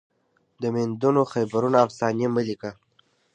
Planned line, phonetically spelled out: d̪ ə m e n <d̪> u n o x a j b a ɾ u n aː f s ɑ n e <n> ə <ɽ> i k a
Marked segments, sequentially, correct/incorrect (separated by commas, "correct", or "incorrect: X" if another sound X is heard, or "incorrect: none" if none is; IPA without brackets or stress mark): correct, incorrect: m, incorrect: l